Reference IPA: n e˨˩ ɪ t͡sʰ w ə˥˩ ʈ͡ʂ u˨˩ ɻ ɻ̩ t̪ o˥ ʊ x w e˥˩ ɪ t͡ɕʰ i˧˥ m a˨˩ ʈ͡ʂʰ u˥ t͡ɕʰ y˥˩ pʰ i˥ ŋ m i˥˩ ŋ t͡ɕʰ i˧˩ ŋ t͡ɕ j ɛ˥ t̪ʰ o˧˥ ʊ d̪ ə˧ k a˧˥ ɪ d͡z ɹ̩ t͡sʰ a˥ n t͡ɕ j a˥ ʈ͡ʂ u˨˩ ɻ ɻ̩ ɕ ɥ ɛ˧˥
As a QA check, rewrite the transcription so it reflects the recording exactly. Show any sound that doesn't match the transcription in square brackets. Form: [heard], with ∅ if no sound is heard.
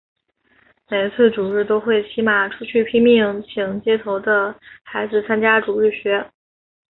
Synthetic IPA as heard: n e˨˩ ɪ t͡sʰ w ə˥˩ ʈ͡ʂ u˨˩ ɻ ɻ̩ t̪ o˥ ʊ x w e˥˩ ɪ t͡ɕʰ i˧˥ m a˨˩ ʈ͡ʂʰ u˥ t͡ɕʰ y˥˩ pʰ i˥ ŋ m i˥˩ ŋ t͡ɕʰ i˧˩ ŋ t͡ɕ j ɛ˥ t̪ʰ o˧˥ ʊ d̪ ə˧ [x] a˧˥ ɪ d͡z ɹ̩ t͡sʰ a˥ n t͡ɕ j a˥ ʈ͡ʂ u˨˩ ɻ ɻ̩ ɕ ɥ ɛ˧˥